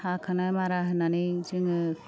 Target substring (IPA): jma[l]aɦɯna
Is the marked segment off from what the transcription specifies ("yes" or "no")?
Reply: yes